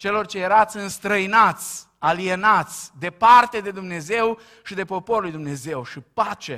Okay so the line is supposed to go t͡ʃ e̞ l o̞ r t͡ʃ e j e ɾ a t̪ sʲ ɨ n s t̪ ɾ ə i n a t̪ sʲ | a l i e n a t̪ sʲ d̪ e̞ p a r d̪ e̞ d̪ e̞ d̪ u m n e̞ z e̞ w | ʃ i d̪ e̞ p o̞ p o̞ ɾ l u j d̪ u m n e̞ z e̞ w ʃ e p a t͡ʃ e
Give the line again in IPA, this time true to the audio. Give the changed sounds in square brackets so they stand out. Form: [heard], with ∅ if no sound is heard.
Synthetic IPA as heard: t͡ʃ e̞ l o̞ r t͡ʃ e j e ɾ a t̪ sʲ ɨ n s t̪ ɾ ə i n a t̪ sʲ | a l i e n a t̪ sʲ d̪ e̞ p a r [t̪] e̞ d̪ e̞ d̪ u m n e̞ z e̞ w | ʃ i d̪ e̞ p o̞ p o̞ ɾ l u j d̪ u m n e̞ z e̞ w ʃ [i] p a t͡ʃ e